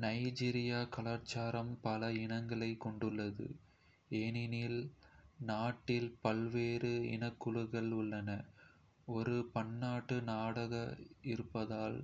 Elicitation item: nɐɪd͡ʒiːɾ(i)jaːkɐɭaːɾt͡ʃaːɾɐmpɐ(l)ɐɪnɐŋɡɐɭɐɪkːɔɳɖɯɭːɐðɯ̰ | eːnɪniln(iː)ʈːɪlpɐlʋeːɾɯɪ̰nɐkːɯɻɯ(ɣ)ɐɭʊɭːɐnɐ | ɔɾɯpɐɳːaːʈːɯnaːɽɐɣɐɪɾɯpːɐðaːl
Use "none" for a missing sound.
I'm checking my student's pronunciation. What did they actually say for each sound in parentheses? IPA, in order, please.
ɪ, l, aː, ɣ

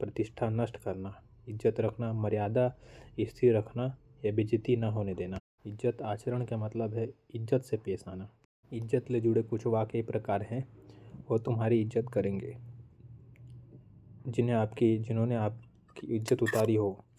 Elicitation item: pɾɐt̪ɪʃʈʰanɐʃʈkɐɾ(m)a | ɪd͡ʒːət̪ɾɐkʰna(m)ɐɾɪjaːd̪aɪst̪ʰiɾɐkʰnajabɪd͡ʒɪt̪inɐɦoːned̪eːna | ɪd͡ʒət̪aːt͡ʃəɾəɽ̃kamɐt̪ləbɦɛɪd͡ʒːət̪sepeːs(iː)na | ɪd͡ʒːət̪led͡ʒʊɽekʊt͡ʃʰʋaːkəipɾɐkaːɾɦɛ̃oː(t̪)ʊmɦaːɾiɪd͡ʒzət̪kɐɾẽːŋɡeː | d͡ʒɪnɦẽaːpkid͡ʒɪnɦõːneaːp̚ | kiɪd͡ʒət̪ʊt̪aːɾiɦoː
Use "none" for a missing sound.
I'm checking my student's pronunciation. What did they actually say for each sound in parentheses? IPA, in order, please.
n, m, aː, t̪

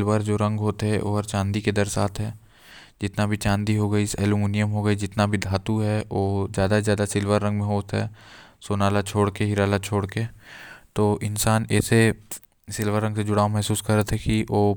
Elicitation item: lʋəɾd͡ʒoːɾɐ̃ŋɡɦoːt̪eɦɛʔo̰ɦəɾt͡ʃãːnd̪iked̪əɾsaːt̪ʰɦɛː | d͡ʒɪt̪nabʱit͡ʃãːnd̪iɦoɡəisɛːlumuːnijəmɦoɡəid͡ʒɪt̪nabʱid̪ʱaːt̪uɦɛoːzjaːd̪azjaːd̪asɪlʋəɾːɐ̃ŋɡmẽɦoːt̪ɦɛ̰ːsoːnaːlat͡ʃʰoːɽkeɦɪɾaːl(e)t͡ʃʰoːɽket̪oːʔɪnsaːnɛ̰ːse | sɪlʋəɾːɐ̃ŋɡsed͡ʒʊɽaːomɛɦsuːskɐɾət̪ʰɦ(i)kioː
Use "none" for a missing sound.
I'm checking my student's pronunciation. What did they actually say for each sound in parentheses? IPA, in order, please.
a, ɛ

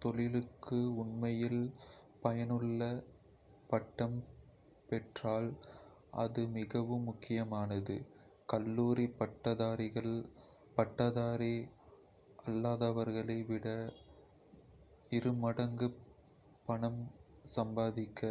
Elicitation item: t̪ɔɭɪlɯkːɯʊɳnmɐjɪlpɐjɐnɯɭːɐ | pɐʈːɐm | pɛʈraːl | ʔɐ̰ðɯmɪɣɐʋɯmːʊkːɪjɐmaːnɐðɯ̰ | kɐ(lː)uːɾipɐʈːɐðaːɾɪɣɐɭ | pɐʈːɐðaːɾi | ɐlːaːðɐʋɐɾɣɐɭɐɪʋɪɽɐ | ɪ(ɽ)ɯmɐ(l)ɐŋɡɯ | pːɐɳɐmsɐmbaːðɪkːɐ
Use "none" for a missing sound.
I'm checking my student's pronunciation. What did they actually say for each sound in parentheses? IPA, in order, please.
lː, ɾ, ɽ

